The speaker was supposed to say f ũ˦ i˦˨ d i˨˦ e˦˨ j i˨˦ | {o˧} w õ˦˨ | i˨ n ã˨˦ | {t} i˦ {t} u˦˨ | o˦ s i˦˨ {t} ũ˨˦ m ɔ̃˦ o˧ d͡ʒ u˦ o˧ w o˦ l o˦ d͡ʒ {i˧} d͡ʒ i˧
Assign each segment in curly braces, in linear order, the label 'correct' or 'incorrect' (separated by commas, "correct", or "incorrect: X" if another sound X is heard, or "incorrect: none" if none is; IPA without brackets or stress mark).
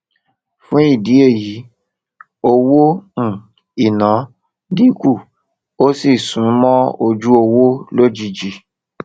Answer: correct, incorrect: d, incorrect: k, incorrect: s, correct